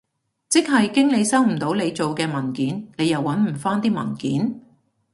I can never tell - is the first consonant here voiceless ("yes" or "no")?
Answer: yes